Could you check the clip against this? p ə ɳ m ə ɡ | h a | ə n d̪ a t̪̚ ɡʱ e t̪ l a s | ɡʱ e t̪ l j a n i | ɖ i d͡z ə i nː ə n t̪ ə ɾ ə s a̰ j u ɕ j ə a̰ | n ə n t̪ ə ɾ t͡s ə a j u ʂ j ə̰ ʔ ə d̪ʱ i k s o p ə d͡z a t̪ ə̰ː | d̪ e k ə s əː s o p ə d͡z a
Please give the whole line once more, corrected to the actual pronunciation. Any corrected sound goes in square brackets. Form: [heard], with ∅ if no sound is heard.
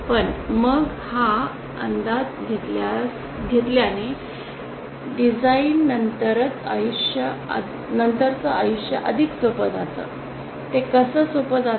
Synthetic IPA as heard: p ə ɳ m ə ɡ | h a | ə n d̪ a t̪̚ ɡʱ e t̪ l a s | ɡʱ e t̪ l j a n i | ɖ i d͡z [a] i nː ə n t̪ ə ɾ ə [t͡s] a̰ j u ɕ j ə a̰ | n ə n t̪ ə ɾ t͡s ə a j u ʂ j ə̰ ʔ ə d̪ʱ i k s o p ə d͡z a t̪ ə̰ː | [t̪] e k ə s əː s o p ə d͡z a